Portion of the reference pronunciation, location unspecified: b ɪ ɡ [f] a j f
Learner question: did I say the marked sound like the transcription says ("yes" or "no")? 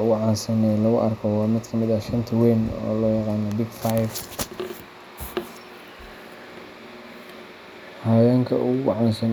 yes